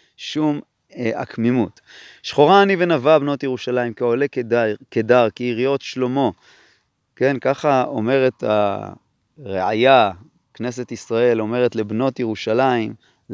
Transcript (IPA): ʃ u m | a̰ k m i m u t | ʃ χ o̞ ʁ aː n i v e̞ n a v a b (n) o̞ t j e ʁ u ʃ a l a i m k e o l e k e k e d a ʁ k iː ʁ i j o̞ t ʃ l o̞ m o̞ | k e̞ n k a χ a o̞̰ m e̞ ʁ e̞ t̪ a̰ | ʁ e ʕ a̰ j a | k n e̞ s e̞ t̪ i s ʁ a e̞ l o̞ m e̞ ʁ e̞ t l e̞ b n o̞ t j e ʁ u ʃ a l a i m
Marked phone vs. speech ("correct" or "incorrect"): correct